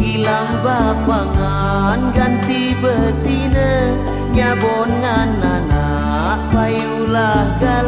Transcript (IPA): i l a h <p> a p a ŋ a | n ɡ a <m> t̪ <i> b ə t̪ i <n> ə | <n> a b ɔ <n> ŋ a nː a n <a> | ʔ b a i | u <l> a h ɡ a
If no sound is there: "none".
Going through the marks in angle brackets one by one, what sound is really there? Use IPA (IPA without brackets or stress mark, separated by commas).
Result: b, n, i, n, ɲ, n, a, l